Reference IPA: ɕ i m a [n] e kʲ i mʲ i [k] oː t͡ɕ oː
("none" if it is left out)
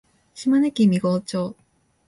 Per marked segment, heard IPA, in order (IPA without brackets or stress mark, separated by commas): n, ɡ